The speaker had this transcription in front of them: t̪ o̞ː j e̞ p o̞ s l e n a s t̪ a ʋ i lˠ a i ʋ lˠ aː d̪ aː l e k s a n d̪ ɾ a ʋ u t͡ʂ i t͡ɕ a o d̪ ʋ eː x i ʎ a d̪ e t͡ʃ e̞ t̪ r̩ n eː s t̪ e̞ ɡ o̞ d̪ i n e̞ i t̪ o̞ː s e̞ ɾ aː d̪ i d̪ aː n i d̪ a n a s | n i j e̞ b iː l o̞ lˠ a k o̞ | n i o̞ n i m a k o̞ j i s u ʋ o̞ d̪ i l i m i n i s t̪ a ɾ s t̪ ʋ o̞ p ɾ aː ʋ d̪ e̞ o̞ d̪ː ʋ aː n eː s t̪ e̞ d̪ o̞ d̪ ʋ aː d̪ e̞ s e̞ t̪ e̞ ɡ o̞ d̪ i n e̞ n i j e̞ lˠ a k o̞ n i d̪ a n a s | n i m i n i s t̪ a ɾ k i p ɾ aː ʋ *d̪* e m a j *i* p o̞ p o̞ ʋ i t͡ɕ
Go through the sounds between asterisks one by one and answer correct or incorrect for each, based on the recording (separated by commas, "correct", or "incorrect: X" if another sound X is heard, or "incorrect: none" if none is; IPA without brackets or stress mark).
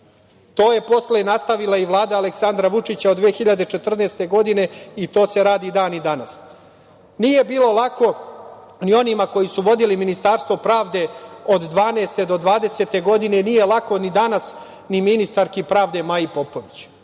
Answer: correct, correct